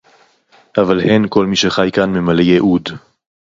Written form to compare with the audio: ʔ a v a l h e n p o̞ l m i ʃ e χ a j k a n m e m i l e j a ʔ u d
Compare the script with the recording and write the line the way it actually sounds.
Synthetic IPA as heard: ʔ a v a l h e n k o̞ l m i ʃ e χ a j k a n m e m a l e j e ʔ u d